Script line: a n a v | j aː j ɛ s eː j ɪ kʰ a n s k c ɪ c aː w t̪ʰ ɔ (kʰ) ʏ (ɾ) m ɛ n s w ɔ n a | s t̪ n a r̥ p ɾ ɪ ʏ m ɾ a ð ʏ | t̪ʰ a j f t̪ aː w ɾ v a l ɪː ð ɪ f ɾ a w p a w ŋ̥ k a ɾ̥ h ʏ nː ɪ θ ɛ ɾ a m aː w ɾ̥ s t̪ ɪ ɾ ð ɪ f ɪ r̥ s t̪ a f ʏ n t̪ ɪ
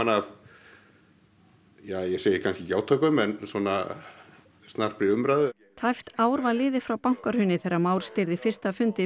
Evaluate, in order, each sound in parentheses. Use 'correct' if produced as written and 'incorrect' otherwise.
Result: incorrect: k, incorrect: none

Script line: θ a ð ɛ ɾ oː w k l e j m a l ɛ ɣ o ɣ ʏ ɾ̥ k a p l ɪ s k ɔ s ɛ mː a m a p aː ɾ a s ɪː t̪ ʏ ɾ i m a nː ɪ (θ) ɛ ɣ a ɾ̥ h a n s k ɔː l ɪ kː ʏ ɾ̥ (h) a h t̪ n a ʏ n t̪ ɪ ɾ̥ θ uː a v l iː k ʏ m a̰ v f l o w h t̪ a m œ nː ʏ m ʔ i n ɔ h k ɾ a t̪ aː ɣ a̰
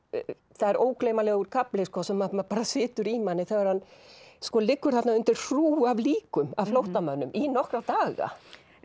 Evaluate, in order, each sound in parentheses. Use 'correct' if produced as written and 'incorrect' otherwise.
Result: correct, incorrect: θ

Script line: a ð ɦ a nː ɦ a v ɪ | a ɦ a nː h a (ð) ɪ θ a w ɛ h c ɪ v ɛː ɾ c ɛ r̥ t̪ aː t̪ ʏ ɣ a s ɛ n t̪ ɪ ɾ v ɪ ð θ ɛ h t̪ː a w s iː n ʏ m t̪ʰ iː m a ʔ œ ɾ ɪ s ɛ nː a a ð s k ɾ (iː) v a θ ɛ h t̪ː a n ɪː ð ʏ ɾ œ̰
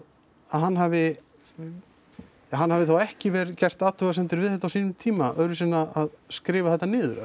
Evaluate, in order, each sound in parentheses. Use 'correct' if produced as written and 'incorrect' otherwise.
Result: incorrect: v, incorrect: ɪː

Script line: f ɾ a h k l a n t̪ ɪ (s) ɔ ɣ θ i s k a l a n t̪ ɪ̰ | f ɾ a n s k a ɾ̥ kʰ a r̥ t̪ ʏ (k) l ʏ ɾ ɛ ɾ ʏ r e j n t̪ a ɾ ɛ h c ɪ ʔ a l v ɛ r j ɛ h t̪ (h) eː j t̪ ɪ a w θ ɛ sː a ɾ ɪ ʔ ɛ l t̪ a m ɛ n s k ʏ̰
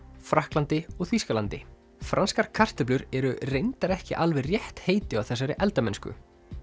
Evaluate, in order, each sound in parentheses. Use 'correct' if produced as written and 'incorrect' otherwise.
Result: incorrect: none, incorrect: p, correct

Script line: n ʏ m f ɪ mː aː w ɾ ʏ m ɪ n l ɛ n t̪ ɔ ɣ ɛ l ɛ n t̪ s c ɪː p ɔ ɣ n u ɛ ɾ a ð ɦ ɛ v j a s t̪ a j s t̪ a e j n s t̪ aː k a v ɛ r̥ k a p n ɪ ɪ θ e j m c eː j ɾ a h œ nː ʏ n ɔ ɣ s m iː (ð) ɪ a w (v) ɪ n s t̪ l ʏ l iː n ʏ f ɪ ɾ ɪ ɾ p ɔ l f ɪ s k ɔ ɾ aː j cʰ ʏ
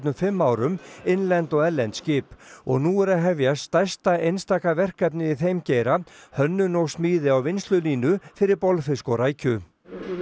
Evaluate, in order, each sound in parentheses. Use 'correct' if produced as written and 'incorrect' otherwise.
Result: correct, correct

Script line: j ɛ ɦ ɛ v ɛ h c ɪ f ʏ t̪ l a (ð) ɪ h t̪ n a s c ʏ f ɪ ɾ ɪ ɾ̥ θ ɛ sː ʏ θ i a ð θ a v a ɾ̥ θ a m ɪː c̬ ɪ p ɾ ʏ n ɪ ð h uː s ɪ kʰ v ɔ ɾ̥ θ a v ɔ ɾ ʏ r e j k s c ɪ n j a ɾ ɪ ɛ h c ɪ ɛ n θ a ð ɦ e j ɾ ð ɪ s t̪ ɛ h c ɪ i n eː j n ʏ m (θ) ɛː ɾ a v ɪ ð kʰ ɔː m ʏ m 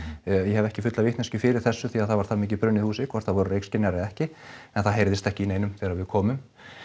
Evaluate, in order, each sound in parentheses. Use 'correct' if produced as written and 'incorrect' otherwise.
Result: incorrect: v, correct

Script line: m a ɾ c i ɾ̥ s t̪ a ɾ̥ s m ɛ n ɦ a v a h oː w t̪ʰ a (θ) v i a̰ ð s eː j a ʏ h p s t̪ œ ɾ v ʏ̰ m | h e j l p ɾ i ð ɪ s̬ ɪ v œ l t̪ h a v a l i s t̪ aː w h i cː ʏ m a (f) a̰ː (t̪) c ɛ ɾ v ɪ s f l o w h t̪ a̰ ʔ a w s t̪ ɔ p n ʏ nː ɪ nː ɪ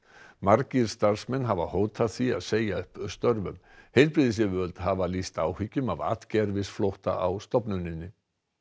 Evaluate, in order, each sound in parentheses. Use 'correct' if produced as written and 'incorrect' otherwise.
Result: correct, incorrect: v, correct

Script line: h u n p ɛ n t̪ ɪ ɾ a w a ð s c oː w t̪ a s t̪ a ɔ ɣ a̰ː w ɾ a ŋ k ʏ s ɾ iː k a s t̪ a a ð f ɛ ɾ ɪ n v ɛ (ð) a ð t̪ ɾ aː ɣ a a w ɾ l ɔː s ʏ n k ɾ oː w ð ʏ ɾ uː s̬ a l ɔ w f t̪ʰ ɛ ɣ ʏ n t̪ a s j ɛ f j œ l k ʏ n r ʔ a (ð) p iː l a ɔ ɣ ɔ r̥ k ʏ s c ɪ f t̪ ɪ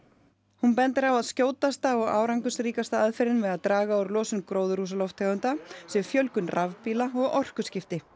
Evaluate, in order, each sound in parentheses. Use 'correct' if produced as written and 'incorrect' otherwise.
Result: correct, incorrect: v

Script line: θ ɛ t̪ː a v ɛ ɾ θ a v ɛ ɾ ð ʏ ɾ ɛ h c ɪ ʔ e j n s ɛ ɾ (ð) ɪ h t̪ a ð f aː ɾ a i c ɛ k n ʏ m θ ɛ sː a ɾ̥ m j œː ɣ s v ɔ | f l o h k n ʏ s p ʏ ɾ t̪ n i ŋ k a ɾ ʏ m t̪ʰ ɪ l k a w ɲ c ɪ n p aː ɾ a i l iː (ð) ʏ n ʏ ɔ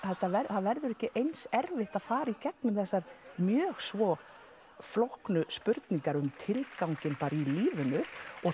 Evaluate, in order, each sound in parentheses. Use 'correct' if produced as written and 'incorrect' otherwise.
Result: incorrect: v, incorrect: v

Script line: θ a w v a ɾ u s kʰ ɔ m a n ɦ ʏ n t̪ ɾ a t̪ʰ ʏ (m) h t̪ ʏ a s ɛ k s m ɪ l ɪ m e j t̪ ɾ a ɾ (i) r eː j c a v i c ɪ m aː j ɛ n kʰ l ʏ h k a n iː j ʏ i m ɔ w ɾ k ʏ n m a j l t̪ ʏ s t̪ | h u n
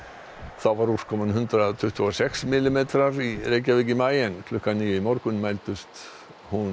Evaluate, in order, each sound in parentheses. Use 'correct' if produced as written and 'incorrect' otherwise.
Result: incorrect: none, correct

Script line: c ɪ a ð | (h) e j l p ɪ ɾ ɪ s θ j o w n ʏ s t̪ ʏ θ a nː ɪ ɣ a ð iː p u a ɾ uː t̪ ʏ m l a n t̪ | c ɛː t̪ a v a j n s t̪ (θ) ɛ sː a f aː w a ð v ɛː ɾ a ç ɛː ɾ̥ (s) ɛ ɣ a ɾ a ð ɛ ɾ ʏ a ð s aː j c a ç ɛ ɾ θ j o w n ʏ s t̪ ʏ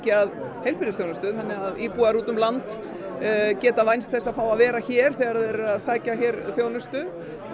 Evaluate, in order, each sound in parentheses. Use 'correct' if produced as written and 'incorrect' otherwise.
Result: correct, correct, incorrect: θ

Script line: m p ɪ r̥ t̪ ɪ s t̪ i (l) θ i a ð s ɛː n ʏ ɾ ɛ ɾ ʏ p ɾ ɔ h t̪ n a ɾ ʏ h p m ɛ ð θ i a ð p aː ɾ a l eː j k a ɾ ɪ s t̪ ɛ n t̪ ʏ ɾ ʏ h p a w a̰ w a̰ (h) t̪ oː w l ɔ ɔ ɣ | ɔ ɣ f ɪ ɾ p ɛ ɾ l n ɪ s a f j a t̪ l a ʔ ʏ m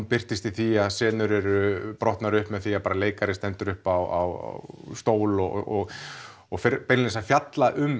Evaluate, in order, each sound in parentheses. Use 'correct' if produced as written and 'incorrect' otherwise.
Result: incorrect: none, incorrect: s

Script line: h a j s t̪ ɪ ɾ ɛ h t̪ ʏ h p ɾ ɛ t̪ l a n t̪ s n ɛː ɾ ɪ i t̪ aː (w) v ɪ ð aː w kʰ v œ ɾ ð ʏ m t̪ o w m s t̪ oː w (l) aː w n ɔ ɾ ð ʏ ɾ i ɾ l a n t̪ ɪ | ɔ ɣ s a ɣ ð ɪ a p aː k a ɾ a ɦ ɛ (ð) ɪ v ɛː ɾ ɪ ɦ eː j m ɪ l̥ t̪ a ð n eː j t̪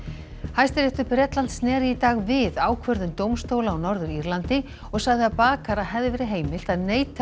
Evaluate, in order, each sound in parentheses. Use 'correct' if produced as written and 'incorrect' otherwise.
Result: incorrect: ɣ, correct, correct

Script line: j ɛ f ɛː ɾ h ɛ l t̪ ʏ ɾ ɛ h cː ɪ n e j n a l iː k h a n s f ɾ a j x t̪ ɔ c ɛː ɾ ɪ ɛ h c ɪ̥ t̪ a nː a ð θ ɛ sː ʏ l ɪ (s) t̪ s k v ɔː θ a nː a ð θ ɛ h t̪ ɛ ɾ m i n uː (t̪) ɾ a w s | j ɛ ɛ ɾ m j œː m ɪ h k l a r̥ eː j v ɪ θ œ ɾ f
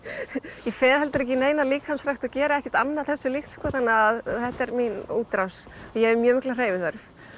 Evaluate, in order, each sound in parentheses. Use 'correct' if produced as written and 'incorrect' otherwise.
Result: incorrect: x, correct

